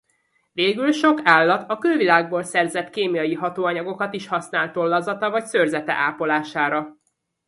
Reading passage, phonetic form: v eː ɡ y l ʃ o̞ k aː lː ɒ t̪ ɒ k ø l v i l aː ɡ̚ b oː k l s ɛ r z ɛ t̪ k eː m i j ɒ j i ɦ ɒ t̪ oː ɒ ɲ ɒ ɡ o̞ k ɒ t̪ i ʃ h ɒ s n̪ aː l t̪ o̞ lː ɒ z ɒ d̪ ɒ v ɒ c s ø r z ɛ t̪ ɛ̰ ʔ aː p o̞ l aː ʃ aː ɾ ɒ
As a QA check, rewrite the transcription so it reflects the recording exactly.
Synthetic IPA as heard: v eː ɡ y l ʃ o̞ k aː lː ɒ t̪ ɒ k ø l v i l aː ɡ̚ b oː l s ɛ r z ɛ t̪ k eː m i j ɒ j i ɦ ɒ t̪ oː ɒ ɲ ɒ ɡ o̞ k ɒ t̪ i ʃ h ɒ s n̪ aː l t̪ o̞ lː ɒ z ɒ t̪ ɒ v ɒ c s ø r z ɛ t̪ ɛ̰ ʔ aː p o̞ l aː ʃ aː ɾ ɒ